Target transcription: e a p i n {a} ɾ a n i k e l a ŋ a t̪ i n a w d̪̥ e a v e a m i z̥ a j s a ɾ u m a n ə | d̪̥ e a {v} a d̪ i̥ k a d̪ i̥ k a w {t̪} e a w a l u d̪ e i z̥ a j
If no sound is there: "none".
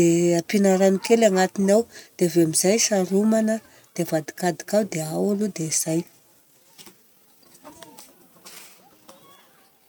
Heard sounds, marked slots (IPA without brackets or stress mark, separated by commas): a, v, d̪